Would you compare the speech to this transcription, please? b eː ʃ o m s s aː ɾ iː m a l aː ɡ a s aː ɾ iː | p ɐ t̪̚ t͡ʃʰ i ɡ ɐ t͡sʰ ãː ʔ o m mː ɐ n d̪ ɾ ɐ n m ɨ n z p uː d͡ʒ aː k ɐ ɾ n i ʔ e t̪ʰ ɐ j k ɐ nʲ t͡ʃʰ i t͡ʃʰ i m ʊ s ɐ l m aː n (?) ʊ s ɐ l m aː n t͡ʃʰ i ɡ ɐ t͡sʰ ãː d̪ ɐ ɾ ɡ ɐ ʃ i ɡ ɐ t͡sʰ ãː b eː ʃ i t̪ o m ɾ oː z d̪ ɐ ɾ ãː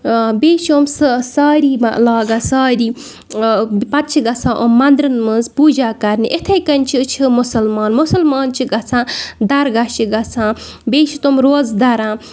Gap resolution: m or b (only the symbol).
m